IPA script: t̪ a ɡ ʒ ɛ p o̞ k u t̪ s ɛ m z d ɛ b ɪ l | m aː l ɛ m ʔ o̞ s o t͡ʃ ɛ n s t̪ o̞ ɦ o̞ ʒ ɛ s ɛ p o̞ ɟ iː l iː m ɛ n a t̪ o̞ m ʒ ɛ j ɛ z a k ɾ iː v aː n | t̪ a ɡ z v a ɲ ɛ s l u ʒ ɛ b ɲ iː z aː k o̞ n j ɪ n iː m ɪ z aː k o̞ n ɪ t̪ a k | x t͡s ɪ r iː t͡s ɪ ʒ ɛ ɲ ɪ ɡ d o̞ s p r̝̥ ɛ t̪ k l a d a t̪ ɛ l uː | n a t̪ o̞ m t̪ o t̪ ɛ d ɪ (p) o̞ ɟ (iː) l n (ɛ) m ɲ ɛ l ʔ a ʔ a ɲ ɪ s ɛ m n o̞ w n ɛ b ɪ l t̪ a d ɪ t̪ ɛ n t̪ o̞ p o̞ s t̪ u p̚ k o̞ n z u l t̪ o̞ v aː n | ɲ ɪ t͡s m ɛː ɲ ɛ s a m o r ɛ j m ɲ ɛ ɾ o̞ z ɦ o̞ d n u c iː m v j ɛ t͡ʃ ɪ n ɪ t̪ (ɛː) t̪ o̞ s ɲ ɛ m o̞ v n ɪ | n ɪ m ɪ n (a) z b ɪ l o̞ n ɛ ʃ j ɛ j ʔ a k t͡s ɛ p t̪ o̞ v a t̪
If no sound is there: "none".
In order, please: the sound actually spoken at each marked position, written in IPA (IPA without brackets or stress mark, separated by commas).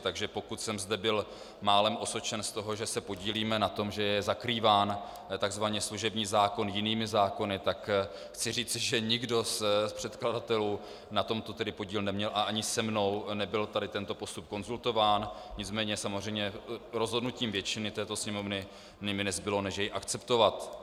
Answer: p, iː, ɛ, ɛː, ɛ